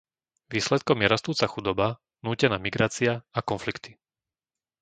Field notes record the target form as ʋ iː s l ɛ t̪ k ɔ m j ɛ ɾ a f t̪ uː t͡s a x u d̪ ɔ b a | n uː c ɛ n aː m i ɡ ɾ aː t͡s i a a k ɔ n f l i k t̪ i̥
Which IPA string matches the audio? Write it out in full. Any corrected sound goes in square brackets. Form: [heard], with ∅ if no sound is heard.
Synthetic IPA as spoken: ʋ iː s l ɛ t̪ k ɔ m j ɛ ɾ a [s] t̪ uː t͡s a x u d̪ ɔ b a | n uː c ɛ n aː m i ɡ ɾ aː t͡s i a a k ɔ n f l i k t̪ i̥